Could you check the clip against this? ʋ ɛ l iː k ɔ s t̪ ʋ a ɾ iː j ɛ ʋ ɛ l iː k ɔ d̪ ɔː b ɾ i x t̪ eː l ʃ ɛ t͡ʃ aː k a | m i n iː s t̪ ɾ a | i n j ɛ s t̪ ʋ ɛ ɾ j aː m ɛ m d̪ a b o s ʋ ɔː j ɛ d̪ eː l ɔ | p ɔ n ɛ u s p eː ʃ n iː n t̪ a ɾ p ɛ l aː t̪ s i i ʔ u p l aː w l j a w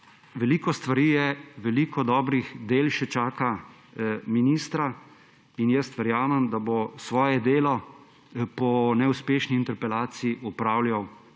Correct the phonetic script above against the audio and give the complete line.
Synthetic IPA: ʋ ɛ l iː k ɔ s t̪ ʋ a ɾ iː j ɛ ʋ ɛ l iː k ɔ d̪ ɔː b ɾ i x d̪ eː l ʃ ɛ t͡ʃ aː k a | m i n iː s t̪ ɾ a | i n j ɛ s t̪ ʋ ɛ ɾ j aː m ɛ m d̪ a b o s ʋ ɔː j ɛ d̪ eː l ɔ | p ɔ n ɛ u s p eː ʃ n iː n t̪ ɛ ɾ p ɛ l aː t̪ s i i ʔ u p ɾ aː w l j a w